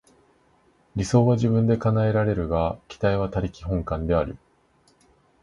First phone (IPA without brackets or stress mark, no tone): ɾʲ